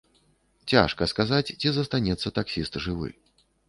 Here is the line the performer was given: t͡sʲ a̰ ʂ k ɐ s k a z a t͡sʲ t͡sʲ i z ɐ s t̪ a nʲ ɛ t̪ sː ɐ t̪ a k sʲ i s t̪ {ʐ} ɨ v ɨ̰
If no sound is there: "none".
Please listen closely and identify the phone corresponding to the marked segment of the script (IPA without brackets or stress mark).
ʐ